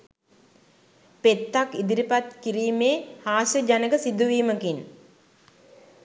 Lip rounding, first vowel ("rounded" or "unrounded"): unrounded